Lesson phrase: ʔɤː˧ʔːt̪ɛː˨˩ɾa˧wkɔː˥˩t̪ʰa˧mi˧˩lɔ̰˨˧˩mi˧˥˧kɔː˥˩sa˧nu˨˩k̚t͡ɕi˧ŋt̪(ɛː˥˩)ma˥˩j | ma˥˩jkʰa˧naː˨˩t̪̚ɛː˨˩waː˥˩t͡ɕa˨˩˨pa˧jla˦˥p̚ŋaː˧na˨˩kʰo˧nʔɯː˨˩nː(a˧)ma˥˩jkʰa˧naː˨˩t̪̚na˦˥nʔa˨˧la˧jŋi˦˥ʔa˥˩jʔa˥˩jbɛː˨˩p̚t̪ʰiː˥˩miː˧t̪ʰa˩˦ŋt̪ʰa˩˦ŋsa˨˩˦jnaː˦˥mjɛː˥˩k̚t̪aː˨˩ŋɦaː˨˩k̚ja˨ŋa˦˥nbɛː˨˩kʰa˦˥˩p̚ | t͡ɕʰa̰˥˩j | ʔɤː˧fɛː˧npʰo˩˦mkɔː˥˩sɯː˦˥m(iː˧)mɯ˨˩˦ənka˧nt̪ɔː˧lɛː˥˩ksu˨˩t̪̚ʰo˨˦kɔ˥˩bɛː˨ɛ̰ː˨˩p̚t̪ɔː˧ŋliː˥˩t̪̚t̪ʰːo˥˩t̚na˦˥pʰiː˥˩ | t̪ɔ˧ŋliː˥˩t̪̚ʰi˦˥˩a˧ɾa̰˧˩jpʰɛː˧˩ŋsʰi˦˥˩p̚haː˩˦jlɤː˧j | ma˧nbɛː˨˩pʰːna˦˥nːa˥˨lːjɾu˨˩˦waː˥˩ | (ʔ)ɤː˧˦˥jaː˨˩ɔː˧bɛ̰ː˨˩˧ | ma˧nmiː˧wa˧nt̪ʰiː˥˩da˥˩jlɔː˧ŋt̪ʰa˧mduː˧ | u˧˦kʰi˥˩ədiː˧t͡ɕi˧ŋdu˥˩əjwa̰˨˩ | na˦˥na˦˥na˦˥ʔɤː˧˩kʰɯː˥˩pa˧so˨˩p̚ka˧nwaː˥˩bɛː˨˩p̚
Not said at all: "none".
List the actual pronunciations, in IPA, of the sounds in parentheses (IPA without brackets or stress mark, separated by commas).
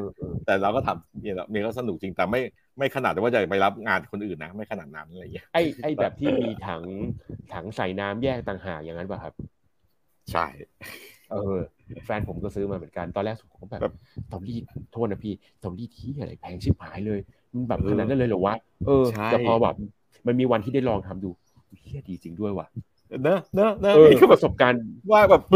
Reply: ɛː˨˩, a˦˥, aː˧, ʔ